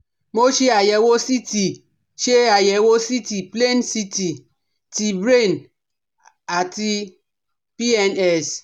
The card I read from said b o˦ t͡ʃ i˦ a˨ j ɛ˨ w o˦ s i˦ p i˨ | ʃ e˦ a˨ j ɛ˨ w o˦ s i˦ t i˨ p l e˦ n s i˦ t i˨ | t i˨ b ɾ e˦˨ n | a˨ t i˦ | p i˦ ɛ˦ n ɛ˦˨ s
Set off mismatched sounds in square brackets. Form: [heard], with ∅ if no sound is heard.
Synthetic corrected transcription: [m] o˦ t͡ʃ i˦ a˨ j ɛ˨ w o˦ s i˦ [t] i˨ | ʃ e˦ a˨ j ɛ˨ w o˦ s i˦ t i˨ p l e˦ n s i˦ t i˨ | t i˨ b ɾ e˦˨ n | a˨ t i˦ | p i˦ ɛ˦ n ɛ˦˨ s